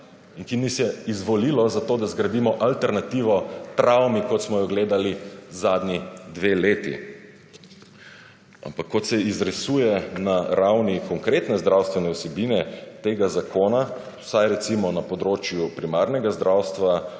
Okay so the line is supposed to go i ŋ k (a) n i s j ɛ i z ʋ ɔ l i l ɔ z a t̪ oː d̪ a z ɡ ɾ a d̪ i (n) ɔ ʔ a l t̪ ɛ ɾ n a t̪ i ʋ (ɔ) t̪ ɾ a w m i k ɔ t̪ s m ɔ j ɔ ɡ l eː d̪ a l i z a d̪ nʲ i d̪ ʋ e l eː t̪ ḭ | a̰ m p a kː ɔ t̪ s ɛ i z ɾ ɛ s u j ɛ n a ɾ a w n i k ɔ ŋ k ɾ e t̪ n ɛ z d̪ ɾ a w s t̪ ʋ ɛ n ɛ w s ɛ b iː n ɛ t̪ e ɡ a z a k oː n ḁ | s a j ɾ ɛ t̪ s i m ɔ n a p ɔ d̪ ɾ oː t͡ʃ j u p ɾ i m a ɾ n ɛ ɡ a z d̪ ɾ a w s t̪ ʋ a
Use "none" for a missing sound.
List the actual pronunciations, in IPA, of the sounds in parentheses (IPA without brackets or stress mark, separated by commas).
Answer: i, m, ɔ